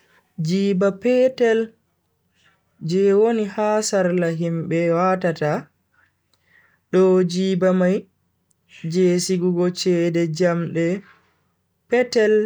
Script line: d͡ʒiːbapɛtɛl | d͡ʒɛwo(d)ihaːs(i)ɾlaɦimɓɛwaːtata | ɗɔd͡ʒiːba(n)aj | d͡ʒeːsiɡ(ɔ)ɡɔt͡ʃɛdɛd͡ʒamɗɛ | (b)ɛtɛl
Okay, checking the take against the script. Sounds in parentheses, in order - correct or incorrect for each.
incorrect, incorrect, incorrect, incorrect, incorrect

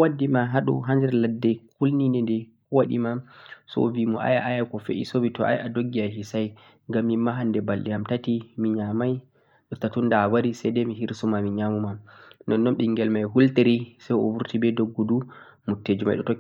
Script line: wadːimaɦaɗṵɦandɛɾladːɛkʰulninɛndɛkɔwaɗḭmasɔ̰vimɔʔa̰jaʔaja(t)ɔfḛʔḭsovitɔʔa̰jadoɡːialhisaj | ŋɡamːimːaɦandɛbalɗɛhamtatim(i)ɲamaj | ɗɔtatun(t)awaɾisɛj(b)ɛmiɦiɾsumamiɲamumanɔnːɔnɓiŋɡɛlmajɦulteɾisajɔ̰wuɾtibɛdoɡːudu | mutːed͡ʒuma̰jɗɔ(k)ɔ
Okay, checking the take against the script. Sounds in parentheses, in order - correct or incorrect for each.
incorrect, correct, incorrect, incorrect, incorrect

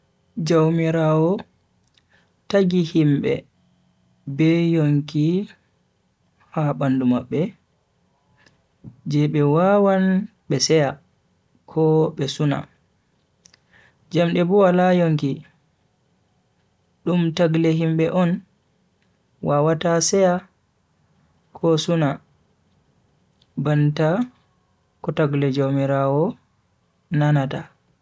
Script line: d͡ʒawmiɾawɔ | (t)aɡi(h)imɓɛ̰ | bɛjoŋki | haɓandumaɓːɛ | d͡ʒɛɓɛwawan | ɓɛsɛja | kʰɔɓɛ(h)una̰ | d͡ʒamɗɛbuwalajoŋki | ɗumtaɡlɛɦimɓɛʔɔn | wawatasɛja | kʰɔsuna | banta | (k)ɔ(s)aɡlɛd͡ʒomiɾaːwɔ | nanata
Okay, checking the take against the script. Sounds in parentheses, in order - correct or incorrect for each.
correct, correct, incorrect, correct, incorrect

